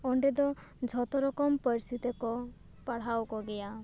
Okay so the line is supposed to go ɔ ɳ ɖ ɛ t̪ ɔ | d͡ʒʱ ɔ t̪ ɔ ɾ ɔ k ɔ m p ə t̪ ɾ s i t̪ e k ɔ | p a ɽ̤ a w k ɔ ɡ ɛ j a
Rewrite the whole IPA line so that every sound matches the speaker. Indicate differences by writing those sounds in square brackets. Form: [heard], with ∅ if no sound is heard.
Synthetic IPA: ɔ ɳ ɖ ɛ [d̪] ɔ | d͡ʒʱ ɔ t̪ ɔ ɾ ɔ k ɔ m p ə [∅] ɾ s i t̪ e k ɔ | p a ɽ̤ a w k ɔ ɡ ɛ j a